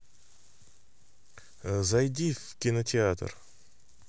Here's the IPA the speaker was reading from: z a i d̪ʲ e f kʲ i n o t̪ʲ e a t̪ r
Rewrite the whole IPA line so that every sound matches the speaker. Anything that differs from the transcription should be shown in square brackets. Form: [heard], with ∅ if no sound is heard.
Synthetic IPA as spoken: z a [j] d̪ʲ [i] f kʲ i n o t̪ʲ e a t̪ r